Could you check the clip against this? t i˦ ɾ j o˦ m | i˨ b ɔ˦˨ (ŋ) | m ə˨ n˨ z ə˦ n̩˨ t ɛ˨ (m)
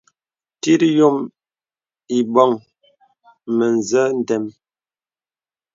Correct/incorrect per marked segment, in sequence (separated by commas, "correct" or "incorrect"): correct, correct